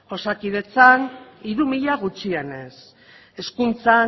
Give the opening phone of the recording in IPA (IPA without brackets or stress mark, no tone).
o̞